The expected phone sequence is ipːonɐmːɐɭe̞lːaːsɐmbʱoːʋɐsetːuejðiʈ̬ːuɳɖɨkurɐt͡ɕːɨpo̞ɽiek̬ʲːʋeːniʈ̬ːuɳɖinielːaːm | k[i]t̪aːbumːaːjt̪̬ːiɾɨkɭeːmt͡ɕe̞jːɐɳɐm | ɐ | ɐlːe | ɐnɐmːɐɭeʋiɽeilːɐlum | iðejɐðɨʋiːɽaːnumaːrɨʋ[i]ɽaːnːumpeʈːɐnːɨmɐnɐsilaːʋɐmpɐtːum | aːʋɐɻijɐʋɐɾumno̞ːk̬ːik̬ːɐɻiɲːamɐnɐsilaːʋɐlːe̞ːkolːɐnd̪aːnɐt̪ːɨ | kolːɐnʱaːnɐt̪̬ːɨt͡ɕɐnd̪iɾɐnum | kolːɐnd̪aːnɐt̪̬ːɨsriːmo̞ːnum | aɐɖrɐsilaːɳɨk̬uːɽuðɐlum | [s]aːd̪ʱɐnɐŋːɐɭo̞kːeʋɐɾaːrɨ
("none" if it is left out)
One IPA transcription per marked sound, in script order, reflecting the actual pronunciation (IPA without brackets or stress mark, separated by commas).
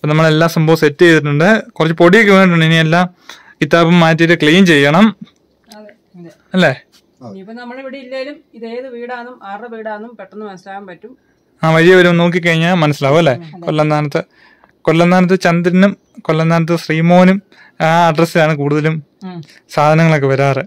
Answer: i, iː, s